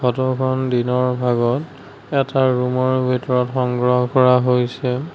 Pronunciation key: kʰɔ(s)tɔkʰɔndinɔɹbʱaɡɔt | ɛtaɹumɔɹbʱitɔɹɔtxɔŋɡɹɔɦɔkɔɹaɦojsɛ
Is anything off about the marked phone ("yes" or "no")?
yes